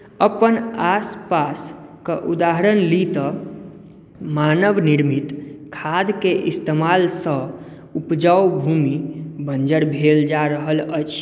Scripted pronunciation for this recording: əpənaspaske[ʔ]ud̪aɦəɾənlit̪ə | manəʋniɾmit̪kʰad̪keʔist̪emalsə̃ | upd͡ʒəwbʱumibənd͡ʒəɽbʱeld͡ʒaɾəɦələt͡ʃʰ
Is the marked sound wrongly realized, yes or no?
no